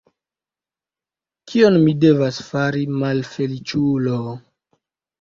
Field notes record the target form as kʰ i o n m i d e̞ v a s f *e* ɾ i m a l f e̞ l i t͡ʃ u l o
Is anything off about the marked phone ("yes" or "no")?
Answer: yes